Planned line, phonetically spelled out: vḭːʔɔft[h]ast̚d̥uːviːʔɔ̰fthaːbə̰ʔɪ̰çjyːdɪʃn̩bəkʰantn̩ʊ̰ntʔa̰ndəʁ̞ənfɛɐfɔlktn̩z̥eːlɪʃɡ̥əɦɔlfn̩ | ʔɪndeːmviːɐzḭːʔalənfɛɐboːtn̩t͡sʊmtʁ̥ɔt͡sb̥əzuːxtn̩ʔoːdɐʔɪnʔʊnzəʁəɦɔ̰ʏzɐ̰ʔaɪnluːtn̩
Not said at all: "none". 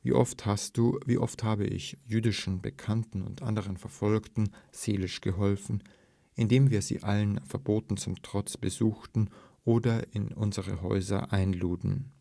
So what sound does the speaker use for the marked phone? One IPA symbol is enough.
h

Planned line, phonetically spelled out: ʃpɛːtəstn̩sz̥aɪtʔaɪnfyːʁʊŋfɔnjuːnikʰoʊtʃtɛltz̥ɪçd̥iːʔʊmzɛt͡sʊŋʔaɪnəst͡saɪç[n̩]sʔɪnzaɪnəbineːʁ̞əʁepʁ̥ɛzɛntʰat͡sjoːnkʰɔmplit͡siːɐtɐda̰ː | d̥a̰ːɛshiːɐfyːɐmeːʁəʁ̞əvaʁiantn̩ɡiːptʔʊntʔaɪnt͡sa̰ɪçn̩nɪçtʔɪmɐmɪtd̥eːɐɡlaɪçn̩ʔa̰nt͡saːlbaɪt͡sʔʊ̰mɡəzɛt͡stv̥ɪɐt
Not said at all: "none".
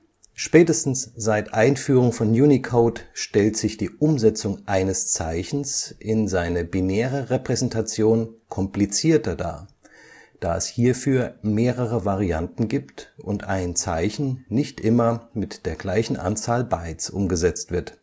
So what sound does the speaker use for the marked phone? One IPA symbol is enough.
n̩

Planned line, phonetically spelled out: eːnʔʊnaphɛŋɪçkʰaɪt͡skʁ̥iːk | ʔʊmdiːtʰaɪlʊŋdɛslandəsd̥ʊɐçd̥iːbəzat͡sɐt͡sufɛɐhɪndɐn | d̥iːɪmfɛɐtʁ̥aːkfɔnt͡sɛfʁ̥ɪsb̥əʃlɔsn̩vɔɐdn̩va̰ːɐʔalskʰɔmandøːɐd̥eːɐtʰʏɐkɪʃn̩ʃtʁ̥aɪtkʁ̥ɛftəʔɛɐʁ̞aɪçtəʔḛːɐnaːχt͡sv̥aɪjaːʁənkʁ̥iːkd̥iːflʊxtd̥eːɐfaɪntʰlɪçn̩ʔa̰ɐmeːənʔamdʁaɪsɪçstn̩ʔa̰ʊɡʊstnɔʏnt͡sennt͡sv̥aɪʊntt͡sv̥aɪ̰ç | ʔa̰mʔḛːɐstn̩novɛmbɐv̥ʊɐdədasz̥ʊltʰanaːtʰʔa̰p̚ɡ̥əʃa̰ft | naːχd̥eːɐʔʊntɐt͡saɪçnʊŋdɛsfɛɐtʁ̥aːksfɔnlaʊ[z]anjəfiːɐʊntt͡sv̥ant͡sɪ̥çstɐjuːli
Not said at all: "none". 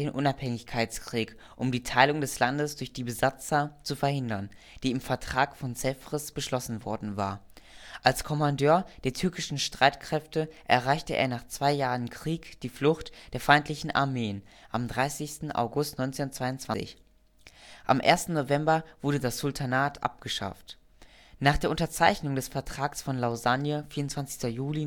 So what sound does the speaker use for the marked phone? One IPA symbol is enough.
z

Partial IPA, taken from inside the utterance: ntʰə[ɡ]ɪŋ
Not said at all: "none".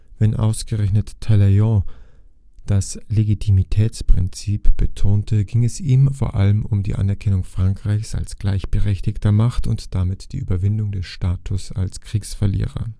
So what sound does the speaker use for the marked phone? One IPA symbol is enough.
ɡ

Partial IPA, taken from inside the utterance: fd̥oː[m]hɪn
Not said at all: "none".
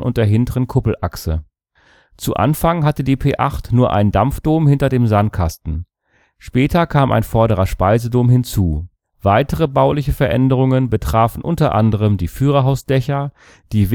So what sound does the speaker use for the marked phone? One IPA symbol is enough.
m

